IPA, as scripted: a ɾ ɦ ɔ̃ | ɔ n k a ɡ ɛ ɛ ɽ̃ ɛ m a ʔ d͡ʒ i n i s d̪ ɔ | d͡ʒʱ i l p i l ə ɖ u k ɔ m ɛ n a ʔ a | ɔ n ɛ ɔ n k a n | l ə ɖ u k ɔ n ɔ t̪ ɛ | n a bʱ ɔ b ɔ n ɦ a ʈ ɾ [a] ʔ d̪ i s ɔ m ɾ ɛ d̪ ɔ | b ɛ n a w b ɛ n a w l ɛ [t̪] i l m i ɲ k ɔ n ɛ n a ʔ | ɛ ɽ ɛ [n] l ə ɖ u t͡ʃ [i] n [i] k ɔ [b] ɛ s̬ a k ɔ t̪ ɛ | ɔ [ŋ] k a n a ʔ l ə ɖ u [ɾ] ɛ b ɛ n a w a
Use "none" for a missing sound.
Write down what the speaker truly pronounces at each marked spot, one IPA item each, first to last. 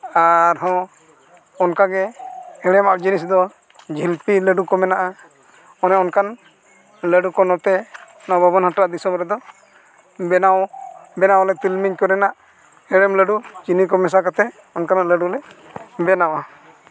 a, t̪, m, i, i, m, n, l

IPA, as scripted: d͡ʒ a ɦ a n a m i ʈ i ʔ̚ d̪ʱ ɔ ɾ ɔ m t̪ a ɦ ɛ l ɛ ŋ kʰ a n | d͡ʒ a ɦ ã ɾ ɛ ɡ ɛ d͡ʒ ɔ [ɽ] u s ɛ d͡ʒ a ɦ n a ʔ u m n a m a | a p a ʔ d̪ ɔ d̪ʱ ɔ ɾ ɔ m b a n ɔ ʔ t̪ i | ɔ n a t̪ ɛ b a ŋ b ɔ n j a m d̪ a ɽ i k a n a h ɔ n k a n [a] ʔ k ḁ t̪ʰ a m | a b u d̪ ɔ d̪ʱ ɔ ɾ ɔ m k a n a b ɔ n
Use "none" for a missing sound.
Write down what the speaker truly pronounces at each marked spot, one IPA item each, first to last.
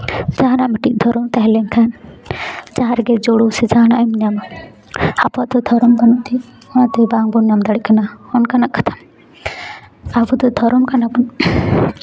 ɽ, a

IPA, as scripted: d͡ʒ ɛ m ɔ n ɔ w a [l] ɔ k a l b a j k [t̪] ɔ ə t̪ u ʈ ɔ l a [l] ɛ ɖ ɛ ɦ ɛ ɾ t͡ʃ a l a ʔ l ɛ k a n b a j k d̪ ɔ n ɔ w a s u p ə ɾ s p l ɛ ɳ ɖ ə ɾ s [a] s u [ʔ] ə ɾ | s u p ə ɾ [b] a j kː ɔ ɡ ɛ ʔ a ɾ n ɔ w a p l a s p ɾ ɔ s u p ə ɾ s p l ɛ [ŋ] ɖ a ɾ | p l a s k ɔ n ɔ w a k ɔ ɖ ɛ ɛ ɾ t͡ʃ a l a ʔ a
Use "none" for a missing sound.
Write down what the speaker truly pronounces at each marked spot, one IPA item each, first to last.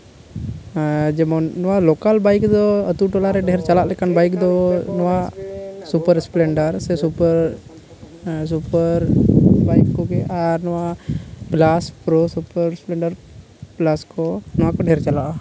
l, d̪, ɾ, ɛ, p, b, ɳ

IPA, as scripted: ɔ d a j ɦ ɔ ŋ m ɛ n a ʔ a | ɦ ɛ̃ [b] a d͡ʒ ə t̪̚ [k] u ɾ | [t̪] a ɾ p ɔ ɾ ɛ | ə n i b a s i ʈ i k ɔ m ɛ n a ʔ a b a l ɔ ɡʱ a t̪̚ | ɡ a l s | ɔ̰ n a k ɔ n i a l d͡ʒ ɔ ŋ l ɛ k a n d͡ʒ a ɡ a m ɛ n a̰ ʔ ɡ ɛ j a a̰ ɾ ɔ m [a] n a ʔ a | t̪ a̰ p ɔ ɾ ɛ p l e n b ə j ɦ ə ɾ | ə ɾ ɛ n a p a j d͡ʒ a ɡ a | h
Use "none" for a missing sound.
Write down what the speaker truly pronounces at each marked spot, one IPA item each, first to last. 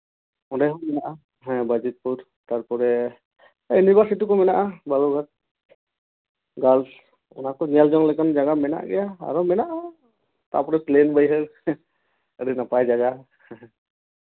b, p, t̪, ɛ

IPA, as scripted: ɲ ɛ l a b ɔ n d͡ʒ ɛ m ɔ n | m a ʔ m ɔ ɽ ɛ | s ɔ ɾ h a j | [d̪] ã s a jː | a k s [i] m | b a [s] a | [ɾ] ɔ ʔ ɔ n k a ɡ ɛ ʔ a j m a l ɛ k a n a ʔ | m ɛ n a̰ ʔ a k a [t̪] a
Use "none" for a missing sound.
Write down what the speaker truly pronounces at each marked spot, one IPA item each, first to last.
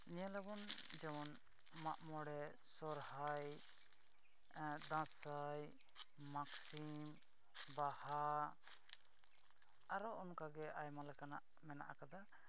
d̪, i, h, ɾ, d̪

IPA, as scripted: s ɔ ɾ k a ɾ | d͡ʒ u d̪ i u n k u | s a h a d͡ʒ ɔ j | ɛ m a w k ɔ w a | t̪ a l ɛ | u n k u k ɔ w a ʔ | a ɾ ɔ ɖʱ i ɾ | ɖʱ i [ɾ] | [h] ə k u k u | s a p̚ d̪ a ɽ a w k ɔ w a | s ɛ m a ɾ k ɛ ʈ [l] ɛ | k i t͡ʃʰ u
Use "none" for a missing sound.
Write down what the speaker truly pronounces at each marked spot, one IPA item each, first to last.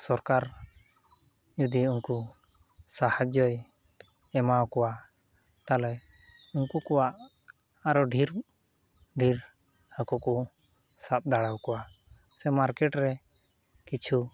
ɾ, h, ɾ

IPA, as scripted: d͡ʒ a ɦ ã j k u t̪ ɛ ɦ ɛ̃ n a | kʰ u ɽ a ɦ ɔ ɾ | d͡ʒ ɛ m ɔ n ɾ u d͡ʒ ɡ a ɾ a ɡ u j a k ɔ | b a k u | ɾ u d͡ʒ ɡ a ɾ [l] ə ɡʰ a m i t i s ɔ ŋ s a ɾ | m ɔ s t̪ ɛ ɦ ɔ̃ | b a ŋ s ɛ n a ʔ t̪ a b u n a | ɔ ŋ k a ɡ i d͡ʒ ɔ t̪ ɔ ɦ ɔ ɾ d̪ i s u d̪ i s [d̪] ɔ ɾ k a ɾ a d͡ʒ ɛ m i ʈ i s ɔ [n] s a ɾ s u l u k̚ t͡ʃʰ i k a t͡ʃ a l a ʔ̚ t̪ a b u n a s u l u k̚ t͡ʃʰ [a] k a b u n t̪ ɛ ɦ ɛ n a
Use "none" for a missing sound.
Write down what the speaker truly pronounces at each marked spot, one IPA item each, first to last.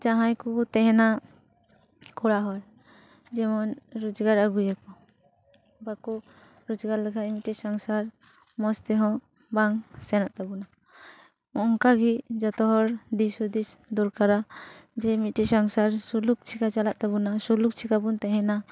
l, d̪, ŋ, i

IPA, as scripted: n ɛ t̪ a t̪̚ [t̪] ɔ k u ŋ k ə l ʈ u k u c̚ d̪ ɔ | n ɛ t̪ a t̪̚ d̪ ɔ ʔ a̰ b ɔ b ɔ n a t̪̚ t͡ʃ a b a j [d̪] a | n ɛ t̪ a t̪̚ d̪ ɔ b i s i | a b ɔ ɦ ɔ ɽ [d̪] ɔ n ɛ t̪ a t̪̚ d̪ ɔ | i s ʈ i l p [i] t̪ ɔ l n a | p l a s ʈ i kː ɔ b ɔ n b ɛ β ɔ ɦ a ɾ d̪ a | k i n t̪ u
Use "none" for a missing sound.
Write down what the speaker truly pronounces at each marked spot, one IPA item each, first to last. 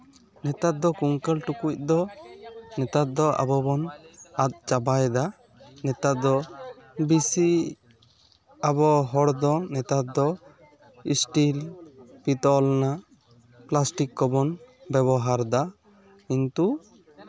d̪, d̪, d̪, i

